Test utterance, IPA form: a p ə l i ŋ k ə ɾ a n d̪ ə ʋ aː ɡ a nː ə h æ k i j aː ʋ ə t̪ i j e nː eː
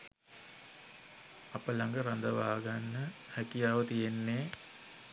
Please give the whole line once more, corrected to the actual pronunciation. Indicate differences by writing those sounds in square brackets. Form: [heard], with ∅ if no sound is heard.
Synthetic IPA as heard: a p ə l [a] ŋ [ɡ] ə ɾ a n d̪ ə ʋ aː ɡ a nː ə h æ k i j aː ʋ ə t̪ i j e nː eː